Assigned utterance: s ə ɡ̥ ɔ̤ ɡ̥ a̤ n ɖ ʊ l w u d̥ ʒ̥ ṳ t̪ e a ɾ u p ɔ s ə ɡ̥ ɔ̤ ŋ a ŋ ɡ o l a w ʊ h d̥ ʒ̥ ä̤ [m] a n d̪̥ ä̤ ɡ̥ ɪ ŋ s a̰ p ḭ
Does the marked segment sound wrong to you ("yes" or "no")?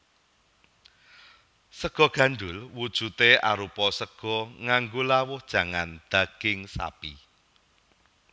yes